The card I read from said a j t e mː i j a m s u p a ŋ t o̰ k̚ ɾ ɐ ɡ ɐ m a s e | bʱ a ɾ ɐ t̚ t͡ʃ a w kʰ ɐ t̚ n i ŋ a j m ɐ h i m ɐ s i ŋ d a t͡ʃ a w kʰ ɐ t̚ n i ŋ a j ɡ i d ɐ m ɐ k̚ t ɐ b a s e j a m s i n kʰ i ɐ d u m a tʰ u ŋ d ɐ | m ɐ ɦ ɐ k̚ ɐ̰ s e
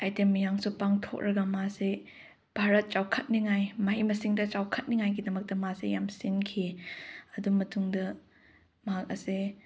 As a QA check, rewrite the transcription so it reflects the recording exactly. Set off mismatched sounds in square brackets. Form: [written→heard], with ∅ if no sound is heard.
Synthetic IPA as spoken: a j t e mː i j a [m→ŋ] s u p a ŋ [t→tʰ] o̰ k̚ ɾ ɐ ɡ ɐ m a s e | bʱ a ɾ ɐ t̚ t͡ʃ a w kʰ ɐ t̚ n i ŋ a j m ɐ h i m ɐ s i ŋ d [a→ɐ] t͡ʃ a w kʰ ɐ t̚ n i ŋ a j ɡ i d ɐ m ɐ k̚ t ɐ [b→m] a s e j a m s i n kʰ i ɐ d u m [a→ɐ] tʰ u ŋ d ɐ | m ɐ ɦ [ɐ→a] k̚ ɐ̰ s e